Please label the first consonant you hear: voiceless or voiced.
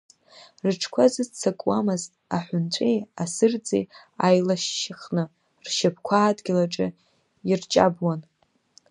voiced